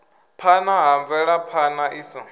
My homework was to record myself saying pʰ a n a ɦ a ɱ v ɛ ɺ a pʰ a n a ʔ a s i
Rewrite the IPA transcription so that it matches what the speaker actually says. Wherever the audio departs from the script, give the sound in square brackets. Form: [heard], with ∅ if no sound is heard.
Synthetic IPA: pʰ a n a ɦ a ɱ v ɛ ɺ a pʰ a n a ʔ [i] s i